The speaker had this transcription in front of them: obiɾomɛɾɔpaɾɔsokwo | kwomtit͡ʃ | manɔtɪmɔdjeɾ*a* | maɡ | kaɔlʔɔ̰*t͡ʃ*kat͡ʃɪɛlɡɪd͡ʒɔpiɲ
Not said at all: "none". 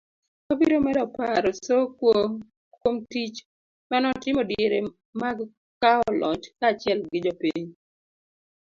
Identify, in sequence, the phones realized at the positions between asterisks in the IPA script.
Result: e, t͡ʃ

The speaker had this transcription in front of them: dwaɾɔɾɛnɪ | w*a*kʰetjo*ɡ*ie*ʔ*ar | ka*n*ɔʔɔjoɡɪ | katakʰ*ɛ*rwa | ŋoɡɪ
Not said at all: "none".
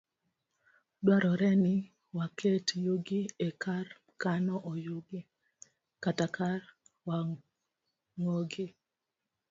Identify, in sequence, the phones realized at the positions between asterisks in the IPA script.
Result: a, ɡ, k, n, a

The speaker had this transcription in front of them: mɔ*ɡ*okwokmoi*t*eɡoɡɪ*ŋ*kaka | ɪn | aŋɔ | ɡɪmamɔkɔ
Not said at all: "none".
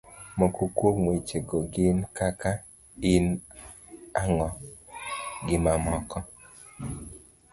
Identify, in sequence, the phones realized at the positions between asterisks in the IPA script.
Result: k, t͡ʃ, n

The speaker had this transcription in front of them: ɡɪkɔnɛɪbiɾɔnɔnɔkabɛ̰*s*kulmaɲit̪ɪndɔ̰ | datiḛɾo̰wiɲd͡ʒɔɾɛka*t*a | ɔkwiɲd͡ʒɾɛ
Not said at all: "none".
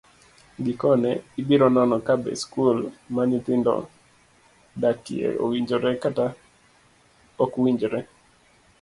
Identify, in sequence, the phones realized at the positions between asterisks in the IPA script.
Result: s, t

